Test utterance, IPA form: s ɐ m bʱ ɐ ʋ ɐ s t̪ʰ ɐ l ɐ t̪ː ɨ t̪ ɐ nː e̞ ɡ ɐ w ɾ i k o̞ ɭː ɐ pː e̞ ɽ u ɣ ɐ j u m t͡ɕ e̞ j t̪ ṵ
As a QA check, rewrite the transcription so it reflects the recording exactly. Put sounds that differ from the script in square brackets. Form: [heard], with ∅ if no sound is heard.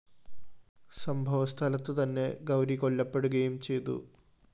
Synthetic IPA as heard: s ɐ m bʱ ɐ ʋ ɐ s t̪ʰ ɐ l ɐ t̪ː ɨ t̪ ɐ nː e̞ ɡ ɐ w ɾ i k o̞ ɭː ɐ pː e̞ ɽ u ɣ ɐ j u m t͡ɕ e̞ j t̪ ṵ